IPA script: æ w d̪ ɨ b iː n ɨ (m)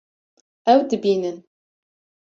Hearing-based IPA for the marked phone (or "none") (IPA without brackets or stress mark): n